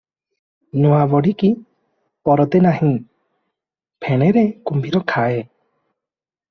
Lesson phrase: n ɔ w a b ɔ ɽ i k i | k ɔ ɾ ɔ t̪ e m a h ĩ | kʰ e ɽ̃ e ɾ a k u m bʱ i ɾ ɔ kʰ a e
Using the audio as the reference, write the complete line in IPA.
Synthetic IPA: n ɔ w a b ɔ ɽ i k i | p ɔ ɾ ɔ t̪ e n a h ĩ | pʰ e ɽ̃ e ɾ e k u m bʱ i ɾ ɔ kʰ a e